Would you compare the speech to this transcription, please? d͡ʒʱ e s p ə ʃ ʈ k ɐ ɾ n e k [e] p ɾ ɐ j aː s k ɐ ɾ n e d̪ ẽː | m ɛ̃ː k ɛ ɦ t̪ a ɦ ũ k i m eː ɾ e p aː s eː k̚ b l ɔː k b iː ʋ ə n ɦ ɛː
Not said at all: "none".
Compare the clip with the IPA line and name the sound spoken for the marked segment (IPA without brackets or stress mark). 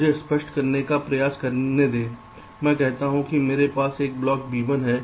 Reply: a